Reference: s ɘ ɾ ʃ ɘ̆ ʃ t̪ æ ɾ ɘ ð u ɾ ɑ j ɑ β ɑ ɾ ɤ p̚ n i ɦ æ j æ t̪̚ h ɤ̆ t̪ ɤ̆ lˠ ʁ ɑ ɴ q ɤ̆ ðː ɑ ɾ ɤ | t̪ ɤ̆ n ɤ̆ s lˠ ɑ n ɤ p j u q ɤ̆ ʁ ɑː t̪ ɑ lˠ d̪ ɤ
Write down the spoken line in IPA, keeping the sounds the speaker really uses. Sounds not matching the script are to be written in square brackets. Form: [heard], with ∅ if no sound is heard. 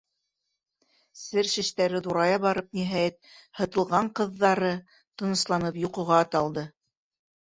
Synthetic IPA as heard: s ɘ ɾ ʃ ɘ̆ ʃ t̪ æ ɾ ɘ ð u ɾ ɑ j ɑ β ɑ ɾ ɤ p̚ n i ɦ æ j æ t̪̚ h ɤ̆ t̪ ɤ̆ lˠ ʁ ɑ ɴ q ɤ̆ ðː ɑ ɾ ɤ | t̪ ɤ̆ n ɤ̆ s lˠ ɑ n ɤ p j u q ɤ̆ ʁ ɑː t̪ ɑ lˠ d̪ ɤ